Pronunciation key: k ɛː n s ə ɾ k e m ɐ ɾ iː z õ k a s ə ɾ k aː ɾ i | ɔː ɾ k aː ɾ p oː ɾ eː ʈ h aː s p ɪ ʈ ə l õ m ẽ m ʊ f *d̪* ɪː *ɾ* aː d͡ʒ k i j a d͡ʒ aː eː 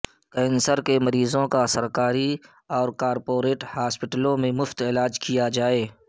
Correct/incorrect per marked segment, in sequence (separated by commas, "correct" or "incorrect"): incorrect, incorrect